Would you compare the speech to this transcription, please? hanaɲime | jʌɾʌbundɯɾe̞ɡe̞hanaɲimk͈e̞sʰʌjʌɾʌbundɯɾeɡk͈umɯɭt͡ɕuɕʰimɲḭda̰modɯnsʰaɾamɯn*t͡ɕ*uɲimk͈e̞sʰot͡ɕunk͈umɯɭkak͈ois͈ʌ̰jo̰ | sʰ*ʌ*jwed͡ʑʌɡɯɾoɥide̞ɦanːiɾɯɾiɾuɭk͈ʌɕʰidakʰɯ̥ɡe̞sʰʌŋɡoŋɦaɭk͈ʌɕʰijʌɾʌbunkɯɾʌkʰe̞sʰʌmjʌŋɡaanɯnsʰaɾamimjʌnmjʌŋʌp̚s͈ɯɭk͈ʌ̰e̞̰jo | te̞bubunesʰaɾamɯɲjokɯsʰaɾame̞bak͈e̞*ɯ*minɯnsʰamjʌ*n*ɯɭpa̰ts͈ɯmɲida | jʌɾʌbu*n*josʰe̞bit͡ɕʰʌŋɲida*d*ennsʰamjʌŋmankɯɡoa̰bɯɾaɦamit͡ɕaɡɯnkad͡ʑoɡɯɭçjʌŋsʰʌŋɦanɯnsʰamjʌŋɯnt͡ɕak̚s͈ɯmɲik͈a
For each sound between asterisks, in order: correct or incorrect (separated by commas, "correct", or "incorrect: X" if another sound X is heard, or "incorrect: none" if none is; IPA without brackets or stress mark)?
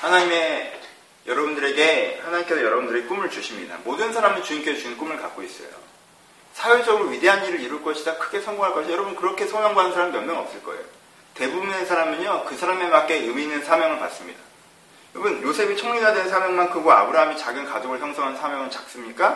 correct, incorrect: a, correct, incorrect: ŋ, correct, correct